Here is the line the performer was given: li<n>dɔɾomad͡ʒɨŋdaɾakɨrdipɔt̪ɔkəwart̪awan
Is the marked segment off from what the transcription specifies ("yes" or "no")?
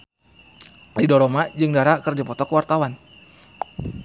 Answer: yes